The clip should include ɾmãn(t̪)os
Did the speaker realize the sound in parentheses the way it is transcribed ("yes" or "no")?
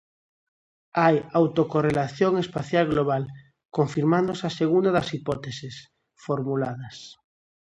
no